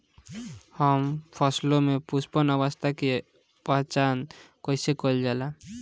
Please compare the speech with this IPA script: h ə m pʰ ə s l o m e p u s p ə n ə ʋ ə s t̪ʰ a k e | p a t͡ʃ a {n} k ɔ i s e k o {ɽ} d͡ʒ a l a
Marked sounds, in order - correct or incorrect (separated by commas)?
correct, incorrect